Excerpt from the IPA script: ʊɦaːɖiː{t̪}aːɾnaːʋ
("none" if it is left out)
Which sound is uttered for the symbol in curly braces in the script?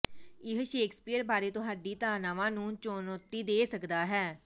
t̪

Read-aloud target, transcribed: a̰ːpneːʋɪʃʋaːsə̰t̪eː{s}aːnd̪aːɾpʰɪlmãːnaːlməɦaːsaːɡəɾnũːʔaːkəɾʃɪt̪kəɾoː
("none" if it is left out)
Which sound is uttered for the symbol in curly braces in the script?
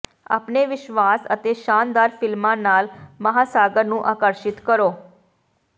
ʃ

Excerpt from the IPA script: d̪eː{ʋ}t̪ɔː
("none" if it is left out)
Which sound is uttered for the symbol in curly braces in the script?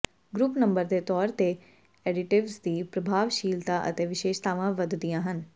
none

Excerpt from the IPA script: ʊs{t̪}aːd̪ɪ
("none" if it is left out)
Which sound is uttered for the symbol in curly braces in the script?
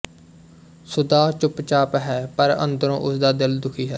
d̪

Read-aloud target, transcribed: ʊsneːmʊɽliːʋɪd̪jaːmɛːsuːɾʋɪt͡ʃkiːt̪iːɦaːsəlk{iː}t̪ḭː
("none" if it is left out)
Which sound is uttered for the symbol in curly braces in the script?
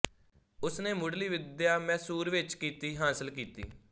iː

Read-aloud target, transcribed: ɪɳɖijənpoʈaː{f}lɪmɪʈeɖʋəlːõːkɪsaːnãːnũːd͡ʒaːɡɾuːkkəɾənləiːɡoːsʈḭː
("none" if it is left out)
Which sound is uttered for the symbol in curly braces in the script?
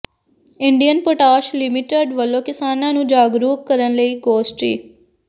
ʃ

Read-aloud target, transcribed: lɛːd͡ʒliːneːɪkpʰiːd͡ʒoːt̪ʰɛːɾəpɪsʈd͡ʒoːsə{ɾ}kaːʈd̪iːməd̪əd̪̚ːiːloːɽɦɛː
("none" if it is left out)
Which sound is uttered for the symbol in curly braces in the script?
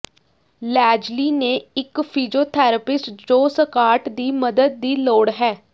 none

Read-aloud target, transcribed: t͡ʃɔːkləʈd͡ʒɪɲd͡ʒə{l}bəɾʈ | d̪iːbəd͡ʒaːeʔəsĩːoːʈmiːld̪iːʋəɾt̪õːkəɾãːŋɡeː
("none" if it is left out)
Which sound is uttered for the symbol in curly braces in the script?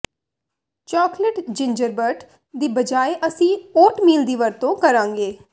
ɾ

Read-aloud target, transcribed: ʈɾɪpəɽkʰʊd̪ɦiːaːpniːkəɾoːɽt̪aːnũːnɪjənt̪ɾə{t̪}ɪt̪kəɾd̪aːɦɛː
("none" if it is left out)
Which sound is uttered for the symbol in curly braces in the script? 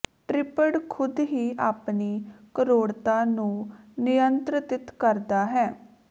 t̪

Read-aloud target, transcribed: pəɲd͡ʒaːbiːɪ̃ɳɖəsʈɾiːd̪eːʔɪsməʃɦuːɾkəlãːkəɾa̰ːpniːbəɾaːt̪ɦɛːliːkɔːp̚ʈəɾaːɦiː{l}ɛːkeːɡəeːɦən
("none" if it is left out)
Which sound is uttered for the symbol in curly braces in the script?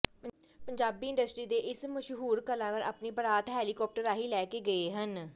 l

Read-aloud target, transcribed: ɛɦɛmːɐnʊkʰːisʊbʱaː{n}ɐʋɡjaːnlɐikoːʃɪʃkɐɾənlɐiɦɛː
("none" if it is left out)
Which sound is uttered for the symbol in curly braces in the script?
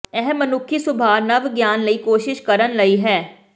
n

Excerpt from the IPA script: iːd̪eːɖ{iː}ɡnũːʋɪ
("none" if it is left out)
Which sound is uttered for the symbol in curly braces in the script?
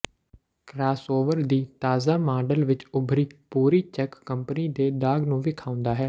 aː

